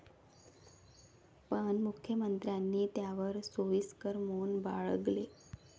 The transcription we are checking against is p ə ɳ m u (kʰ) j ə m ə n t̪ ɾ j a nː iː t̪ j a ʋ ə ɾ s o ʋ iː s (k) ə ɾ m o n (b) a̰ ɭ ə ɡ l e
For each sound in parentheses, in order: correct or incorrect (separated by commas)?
correct, correct, correct